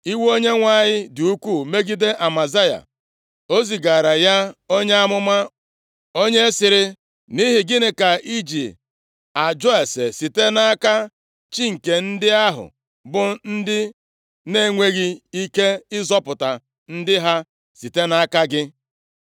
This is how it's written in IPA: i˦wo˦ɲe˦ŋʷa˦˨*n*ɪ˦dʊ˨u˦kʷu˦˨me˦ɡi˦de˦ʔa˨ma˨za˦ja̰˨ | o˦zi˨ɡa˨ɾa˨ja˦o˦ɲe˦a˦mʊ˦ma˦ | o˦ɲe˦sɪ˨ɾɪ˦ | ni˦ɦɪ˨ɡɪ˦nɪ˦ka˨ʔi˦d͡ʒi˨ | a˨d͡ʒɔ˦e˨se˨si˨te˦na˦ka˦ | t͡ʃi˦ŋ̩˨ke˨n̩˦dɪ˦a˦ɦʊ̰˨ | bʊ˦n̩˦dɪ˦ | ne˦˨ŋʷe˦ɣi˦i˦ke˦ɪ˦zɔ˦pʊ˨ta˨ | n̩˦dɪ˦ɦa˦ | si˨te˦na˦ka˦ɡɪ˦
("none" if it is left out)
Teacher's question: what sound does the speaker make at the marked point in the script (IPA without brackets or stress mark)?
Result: ɲ